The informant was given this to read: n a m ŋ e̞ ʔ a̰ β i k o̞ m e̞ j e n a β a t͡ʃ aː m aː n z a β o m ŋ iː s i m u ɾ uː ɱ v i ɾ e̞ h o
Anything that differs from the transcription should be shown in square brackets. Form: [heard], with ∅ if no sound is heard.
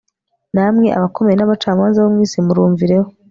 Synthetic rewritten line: n a m ŋ e̞ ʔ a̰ β [a] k o̞ m e̞ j e n a β a t͡ʃ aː m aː n z a β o m ŋ iː s i m u ɾ uː ɱ v i ɾ e̞ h o